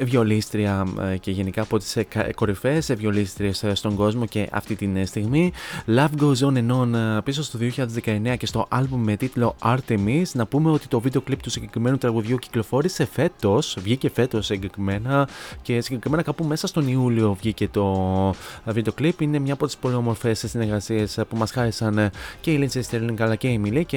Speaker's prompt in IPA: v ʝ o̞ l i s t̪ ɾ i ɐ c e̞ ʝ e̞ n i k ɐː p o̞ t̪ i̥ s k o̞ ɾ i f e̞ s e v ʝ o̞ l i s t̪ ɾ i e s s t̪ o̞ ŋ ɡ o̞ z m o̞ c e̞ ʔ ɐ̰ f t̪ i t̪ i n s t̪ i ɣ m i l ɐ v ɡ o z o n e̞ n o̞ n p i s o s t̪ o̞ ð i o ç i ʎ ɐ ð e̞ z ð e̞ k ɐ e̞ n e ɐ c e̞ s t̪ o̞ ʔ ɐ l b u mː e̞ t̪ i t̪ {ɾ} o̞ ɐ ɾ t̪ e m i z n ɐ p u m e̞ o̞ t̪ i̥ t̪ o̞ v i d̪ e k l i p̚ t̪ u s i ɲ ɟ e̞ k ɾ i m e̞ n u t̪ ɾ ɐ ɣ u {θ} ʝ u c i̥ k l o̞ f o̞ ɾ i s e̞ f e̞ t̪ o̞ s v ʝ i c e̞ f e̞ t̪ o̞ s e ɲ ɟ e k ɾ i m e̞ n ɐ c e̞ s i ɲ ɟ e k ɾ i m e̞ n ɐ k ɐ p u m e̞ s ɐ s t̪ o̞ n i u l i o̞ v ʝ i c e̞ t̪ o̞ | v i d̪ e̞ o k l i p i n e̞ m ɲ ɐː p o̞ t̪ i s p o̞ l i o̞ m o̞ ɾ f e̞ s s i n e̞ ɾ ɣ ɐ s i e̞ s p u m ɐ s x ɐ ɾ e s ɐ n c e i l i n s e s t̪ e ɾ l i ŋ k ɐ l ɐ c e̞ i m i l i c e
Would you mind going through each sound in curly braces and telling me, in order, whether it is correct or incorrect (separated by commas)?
incorrect, incorrect